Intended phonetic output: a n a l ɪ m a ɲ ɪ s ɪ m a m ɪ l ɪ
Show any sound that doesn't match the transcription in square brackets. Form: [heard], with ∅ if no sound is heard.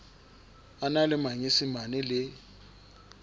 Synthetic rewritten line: a n a l ɪ m a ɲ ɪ s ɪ m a [n] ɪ l ɪ